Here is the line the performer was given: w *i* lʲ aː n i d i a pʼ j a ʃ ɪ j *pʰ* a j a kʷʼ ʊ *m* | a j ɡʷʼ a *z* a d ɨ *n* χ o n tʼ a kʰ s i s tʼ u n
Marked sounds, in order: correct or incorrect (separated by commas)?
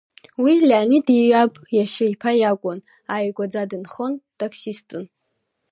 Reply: correct, correct, incorrect, incorrect, correct